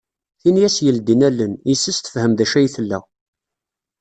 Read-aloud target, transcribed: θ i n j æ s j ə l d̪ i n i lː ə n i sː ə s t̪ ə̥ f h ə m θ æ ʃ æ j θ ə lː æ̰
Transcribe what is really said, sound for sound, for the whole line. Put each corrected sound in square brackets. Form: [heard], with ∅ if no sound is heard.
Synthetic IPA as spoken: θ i n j æ s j ə l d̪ i n [æ] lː ə n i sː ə s t̪ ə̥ f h ə m [ð] æ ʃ æ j θ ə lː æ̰